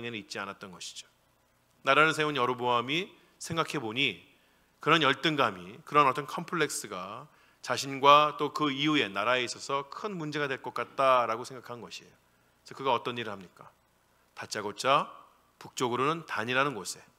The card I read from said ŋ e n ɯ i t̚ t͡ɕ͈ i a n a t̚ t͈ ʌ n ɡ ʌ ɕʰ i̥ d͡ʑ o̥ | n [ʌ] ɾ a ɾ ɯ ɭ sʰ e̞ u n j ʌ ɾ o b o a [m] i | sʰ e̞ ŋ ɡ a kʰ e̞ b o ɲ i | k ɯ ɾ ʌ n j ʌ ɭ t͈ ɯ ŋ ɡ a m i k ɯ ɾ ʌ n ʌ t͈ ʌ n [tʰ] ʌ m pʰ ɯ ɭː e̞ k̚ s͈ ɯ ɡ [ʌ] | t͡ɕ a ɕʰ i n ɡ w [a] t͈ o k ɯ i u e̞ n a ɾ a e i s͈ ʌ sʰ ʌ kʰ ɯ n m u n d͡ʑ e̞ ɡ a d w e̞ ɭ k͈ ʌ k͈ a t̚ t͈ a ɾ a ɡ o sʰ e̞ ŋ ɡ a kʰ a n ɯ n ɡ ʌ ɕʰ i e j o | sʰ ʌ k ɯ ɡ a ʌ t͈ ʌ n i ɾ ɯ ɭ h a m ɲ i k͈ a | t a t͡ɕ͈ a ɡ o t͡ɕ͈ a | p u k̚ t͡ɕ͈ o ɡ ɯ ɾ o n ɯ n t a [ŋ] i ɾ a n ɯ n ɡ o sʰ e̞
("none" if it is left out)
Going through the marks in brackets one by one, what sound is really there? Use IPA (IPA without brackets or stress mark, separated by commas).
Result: a, m, kʰ, a, a, ɲ